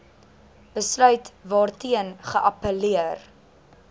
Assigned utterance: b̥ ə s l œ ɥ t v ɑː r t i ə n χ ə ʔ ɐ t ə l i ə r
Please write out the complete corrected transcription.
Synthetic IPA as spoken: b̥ ə s l œ ɥ t v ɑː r t i ə n χ ə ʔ ɐ p ə l i ə r